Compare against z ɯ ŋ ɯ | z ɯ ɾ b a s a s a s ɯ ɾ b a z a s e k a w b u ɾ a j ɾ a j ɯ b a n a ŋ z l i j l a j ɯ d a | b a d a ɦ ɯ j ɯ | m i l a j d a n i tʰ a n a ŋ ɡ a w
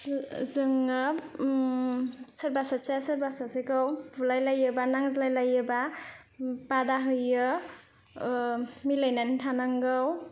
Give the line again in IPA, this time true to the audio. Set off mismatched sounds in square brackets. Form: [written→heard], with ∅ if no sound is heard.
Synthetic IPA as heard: z ɯ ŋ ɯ | [z→s] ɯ ɾ b a s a s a s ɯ ɾ b a [z→s] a s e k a w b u [ɾ→l] a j [ɾ→l] a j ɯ b a n a ŋ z l [i→a] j l a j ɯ [d→b] a | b a d a ɦ ɯ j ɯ | m i l a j [d→n] a n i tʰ a n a ŋ ɡ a w